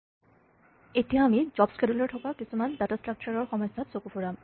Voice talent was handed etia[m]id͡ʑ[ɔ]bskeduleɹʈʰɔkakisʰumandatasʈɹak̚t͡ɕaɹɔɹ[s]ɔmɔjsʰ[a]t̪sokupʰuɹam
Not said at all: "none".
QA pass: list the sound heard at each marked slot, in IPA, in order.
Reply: m, ɔ, x, a

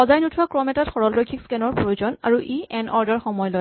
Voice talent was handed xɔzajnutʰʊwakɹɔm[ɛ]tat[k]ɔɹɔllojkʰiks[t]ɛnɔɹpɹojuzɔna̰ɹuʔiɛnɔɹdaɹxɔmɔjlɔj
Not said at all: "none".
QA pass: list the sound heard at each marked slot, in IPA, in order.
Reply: ɛ, x, k

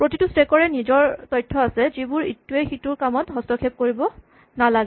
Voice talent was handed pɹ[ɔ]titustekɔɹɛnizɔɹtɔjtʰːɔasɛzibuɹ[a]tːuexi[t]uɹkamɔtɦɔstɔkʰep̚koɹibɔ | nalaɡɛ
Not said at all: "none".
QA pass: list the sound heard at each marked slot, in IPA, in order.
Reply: o, i, t

